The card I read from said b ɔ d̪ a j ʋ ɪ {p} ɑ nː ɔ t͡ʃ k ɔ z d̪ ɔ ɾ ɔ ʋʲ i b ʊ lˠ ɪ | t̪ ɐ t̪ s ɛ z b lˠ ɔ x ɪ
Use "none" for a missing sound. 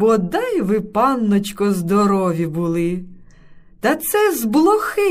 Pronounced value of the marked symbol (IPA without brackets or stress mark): p